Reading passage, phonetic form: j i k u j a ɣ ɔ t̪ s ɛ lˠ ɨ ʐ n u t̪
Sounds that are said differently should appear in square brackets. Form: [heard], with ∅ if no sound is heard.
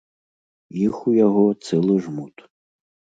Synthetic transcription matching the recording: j i [x] u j a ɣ ɔ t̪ s ɛ lˠ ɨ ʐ [m] u t̪